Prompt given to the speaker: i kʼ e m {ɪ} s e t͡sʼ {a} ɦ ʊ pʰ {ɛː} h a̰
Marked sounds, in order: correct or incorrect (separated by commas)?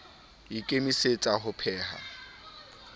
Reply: incorrect, correct, correct